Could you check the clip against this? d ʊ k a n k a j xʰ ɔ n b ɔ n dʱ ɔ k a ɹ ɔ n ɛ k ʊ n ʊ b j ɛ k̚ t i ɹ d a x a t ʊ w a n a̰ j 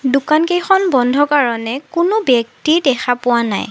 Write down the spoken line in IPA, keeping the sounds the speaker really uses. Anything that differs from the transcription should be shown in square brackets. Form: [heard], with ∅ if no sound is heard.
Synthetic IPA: d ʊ k a n k [e] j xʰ ɔ n b ɔ n dʱ ɔ k a ɹ ɔ n ɛ k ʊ n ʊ b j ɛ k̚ t i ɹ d [ɛ] x a [p] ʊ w a n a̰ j